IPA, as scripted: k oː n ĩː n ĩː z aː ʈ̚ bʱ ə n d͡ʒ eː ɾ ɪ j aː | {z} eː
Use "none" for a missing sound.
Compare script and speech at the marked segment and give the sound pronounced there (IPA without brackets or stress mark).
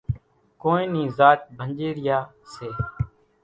s